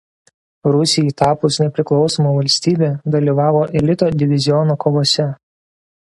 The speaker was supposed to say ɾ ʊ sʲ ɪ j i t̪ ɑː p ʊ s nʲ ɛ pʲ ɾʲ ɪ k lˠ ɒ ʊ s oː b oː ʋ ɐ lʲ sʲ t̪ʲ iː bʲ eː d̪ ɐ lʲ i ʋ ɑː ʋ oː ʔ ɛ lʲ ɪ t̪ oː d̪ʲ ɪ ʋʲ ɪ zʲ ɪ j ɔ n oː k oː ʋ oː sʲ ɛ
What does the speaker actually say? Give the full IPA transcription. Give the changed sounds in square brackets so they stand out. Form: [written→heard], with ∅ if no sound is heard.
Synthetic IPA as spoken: ɾ ʊ sʲ ɪ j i t̪ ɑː p ʊ s nʲ ɛ pʲ ɾʲ ɪ k lˠ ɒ ʊ s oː [b→m] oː ʋ ɐ lʲ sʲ t̪ʲ iː bʲ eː d̪ ɐ lʲ i ʋ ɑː ʋ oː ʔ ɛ lʲ ɪ t̪ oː d̪ʲ ɪ ʋʲ ɪ zʲ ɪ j ɔ n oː k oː ʋ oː sʲ ɛ

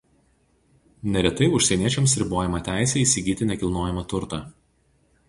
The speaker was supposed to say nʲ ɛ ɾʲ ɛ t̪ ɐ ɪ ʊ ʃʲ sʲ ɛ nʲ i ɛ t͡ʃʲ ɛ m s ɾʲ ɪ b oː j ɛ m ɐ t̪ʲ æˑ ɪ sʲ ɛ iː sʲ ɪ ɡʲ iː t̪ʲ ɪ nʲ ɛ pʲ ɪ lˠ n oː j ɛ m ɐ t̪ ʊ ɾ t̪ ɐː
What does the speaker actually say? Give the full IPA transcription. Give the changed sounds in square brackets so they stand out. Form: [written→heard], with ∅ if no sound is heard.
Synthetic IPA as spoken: nʲ ɛ ɾʲ ɛ t̪ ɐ ɪ ʊ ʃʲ sʲ ɛ nʲ i ɛ t͡ʃʲ ɛ m s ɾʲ ɪ b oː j ɛ m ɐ t̪ʲ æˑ ɪ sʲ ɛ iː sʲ ɪ ɡʲ iː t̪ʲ ɪ nʲ ɛ [pʲ→kʲ] ɪ lˠ n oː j ɛ m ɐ t̪ ʊ ɾ t̪ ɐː

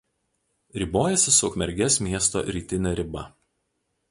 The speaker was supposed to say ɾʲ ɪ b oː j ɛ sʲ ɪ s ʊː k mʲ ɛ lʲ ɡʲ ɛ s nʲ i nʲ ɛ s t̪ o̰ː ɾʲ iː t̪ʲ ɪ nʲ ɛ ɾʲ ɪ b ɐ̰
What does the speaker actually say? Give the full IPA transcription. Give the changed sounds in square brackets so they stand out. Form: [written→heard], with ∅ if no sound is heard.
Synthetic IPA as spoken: ɾʲ ɪ b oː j ɛ sʲ ɪ s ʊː k mʲ ɛ [lʲ→ɾʲ] ɡʲ ɛ s [nʲ→mʲ] i [nʲ→∅] ɛ s t̪ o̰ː ɾʲ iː t̪ʲ ɪ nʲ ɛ ɾʲ ɪ b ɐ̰

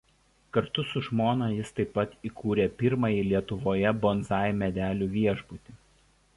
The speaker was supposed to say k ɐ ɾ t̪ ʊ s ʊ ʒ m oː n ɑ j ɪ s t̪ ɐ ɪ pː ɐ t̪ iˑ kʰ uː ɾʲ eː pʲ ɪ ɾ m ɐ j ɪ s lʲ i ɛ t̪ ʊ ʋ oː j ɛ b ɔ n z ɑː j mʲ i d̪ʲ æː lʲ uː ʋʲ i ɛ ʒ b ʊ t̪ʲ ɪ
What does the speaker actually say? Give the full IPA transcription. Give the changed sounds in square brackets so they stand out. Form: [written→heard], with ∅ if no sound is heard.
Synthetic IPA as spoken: k ɐ ɾ t̪ ʊ s ʊ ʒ m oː n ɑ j ɪ s t̪ ɐ ɪ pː ɐ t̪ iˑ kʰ uː ɾʲ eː pʲ ɪ ɾ m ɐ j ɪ [s→∅] lʲ i ɛ t̪ ʊ ʋ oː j ɛ b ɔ n z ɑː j mʲ [i→ɛ] d̪ʲ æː lʲ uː ʋʲ i ɛ ʒ b ʊ t̪ʲ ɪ

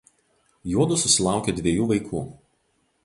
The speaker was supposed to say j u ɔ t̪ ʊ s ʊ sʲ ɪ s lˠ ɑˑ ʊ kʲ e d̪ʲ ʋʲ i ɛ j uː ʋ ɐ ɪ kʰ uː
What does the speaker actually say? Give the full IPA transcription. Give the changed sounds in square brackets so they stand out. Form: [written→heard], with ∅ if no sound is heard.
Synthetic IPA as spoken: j u ɔ [t̪→d̪] ʊ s ʊ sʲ ɪ [s→∅] lˠ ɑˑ ʊ kʲ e d̪ʲ ʋʲ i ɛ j uː ʋ ɐ ɪ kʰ uː

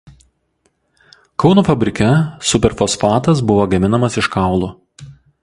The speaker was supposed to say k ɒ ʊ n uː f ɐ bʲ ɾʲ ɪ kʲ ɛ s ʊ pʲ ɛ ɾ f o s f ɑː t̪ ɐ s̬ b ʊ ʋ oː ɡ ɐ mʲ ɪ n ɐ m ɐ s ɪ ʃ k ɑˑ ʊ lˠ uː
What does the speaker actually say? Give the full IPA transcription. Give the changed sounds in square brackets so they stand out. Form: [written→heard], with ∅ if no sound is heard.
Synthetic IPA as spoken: k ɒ ʊ n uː f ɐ bʲ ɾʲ ɪ kʲ ɛ s ʊ pʲ ɛ ɾ f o s f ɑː t̪ ɐ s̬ b ʊ ʋ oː ɡ ɐ mʲ ɪ n ɐ m ɐ s ɪ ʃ k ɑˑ ʊ lˠ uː

